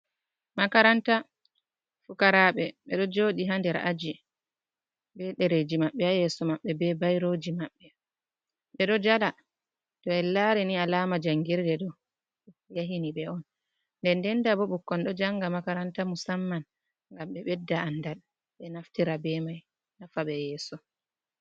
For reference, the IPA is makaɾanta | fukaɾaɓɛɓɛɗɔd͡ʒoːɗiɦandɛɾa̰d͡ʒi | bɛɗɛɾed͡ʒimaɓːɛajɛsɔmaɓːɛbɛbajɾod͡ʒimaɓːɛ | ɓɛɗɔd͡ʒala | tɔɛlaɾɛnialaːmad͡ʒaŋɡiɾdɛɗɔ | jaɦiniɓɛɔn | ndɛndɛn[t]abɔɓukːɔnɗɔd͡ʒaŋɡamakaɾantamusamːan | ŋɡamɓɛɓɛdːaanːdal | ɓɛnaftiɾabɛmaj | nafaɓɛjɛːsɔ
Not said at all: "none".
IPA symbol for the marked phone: d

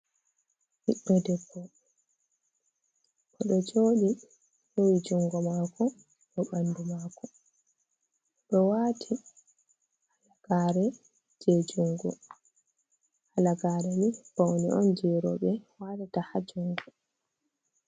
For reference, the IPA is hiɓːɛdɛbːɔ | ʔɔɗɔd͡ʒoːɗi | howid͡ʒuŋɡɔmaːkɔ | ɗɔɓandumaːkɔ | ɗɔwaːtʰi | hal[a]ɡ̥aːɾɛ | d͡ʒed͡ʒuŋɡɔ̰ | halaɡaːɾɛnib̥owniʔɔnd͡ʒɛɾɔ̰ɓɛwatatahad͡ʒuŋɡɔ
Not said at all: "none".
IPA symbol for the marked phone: a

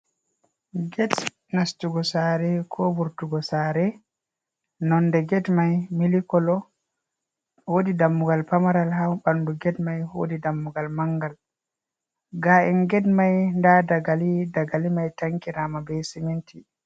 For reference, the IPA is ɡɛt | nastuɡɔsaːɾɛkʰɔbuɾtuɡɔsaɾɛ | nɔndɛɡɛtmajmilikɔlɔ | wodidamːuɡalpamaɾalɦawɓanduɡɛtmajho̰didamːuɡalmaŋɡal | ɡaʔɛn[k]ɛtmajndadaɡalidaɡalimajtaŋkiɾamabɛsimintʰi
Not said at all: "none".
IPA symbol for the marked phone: ɡ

